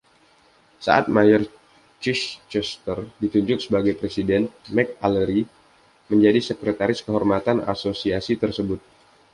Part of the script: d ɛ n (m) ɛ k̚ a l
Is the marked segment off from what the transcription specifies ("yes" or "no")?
no